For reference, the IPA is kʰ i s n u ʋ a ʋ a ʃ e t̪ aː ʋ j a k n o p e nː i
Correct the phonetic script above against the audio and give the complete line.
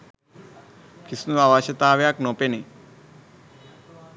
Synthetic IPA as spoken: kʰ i s n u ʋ a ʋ a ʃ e t̪ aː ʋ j a k n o p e n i